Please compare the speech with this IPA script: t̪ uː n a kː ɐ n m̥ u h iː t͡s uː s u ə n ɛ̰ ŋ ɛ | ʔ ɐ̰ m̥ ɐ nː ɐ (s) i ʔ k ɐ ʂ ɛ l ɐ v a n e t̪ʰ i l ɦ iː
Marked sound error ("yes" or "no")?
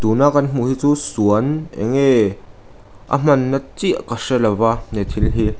yes